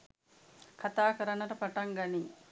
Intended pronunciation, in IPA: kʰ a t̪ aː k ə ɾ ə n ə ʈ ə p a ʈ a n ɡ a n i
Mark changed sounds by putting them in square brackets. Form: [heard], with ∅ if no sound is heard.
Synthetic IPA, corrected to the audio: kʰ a t̪ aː k ə ɾ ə n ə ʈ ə p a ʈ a [ŋ] ɡ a n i